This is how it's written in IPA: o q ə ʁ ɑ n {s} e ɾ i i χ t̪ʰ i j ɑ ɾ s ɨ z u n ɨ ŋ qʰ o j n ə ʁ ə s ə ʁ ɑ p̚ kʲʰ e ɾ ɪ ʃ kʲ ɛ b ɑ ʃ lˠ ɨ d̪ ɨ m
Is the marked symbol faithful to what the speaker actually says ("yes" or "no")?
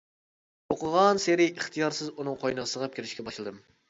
yes